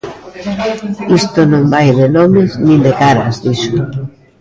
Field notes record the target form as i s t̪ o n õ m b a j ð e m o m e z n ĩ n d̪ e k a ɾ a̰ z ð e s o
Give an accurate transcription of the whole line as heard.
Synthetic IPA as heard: i s t̪ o n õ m b a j ð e n o m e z n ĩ n d̪ e k a ɾ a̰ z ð i s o

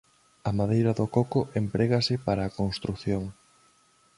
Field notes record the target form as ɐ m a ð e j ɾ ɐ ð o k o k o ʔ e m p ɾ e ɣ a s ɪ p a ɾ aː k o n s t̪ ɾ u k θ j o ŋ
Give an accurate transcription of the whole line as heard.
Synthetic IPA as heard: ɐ m a ð e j ɾ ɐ ð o k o k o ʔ e m p ɾ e ɣ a s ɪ p a ɾ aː k o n s t̪ ɾ u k θ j o ŋ

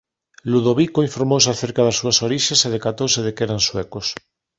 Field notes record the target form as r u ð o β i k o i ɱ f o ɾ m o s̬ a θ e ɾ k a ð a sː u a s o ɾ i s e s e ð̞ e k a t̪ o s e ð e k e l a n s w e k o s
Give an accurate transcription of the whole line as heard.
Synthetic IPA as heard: l u ð o β i k o i ɱ f o ɾ m o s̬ a θ e ɾ k a ð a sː u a s o ɾ i ʃ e s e ð̞ e k a t̪ o s e ð e k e ɾ a n s w e k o s

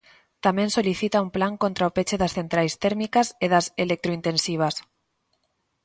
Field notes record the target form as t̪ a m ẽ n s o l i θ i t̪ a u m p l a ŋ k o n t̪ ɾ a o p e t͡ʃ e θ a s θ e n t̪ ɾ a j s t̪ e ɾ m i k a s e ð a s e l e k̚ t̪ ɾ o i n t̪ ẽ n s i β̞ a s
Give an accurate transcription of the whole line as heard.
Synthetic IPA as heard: t̪ a m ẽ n s o l i θ i t̪ a u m p l a ŋ k o n t̪ ɾ a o p e t͡ʃ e ð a s θ e n t̪ ɾ a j s t̪ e ɾ m i k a s e ð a s e l e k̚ t̪ ɾ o i n t̪ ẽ n s i β̞ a s

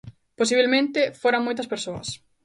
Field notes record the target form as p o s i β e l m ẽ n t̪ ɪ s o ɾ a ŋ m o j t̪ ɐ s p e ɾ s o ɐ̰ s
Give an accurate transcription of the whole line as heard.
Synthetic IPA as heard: p o s i β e l m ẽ n t̪ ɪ f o ɾ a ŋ m o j t̪ ɐ s p e ɾ s o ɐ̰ s

